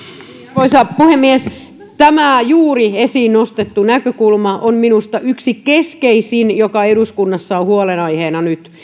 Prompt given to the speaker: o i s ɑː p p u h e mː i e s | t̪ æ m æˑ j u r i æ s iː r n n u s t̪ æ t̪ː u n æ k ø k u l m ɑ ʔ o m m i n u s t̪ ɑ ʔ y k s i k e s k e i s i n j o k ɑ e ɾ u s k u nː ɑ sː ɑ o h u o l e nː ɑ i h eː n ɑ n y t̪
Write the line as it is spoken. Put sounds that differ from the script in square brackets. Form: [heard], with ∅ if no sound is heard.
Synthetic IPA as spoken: o i s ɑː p p u h e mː i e s | t̪ æ m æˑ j [uː] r i [e] s iː [∅] n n [o] s t̪ [e] t̪ː u n æ k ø k u l m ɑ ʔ o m m i n u s t̪ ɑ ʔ y k s i k e s k e i s i n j o k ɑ e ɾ u s k u nː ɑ sː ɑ o h u o l e [n] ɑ i h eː n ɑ n y t̪